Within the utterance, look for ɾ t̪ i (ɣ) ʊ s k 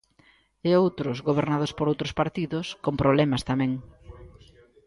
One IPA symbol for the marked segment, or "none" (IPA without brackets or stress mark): ð